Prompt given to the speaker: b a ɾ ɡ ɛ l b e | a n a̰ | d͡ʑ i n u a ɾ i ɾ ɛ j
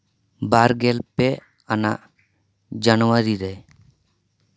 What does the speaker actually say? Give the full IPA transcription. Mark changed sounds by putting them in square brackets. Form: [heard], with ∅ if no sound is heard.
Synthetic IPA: b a ɾ ɡ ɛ l [p] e | a n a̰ | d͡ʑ [a] n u a ɾ i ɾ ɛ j

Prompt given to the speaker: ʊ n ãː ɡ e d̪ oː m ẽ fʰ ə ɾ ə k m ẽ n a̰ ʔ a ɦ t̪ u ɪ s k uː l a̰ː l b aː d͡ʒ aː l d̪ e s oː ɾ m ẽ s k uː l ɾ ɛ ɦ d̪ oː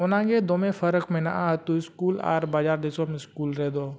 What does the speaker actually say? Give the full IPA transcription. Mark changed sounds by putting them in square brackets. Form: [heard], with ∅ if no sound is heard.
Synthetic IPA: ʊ n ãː ɡ e d̪ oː m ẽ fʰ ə ɾ ə k m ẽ n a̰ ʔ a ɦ t̪ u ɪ s k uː l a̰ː [ɾ] b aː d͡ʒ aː [ɾ] d̪ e s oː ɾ m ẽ s k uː l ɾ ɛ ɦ d̪ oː

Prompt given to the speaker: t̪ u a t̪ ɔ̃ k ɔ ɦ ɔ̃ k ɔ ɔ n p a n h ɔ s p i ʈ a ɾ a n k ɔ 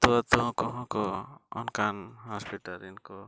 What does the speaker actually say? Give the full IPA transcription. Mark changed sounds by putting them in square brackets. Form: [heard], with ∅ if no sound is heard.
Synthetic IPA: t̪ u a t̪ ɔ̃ k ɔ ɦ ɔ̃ k ɔ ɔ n [k] a n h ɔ s p i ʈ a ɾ [i] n k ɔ

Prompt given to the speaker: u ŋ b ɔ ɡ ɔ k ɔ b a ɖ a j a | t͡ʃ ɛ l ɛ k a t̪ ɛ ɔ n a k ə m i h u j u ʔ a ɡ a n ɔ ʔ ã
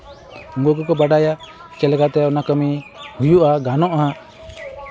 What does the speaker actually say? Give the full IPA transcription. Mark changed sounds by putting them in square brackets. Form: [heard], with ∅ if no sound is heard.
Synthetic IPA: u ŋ [ɡ] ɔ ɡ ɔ k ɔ b a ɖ a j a | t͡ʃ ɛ l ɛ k a t̪ ɛ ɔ n a k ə m i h u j u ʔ a ɡ a n ɔ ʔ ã

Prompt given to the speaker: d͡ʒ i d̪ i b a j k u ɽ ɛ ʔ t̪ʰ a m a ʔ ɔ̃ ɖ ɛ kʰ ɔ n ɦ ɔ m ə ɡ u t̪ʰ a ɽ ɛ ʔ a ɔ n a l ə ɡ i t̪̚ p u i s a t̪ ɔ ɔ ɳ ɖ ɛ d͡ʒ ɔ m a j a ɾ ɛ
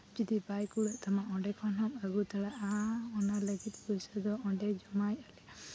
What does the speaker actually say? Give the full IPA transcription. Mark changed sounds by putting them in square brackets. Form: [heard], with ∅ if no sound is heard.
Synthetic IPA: d͡ʒ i d̪ i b a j k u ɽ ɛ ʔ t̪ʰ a m a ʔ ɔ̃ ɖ ɛ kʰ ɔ n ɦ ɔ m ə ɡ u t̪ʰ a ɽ [a] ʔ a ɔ n a l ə ɡ i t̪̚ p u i s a [d̪] ɔ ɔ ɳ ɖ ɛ d͡ʒ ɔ m a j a [l] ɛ

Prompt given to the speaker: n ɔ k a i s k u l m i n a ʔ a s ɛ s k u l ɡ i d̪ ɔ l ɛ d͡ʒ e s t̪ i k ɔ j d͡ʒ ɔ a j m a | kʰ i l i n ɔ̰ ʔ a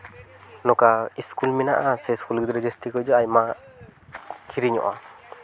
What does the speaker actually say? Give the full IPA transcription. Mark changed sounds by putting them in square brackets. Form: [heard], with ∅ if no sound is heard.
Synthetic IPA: n ɔ k a i s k u l m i n a ʔ a s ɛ s k u l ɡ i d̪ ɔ [ɾ] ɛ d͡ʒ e s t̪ i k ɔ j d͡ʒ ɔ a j m a | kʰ i [ɾ] i [ɲ] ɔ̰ ʔ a

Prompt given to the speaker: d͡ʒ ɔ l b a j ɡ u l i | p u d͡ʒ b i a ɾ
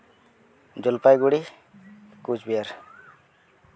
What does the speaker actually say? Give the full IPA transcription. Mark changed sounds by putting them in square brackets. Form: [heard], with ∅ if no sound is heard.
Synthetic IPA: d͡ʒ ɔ l [p] a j ɡ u [ɽ] i | [k] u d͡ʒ b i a ɾ

